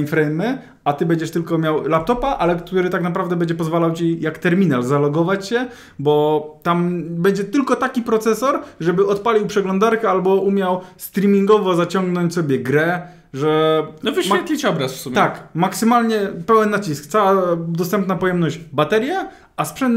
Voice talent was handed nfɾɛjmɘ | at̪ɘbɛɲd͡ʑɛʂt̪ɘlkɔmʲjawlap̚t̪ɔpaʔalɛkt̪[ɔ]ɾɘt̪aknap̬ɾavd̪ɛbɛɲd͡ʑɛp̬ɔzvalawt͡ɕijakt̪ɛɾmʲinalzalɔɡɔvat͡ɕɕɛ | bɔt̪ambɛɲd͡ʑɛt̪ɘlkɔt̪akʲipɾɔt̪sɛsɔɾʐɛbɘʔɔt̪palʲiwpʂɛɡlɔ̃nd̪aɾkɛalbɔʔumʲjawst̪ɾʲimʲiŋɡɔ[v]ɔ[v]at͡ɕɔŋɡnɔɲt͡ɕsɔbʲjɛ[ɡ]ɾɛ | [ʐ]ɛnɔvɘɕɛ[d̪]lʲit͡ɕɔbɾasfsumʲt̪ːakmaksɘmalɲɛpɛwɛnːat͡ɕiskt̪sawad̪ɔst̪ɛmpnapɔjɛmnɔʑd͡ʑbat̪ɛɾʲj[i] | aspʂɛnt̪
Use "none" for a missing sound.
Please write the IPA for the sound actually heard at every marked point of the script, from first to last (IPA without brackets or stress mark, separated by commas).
u, v, z, ɡ, ʐ, t̪, ɛ